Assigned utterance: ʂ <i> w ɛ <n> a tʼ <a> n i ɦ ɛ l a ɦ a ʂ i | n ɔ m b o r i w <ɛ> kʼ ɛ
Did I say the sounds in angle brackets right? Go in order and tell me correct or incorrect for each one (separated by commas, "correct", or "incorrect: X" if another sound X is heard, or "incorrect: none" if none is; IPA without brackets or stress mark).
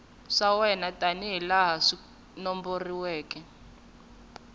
incorrect: a, correct, correct, incorrect: ɛː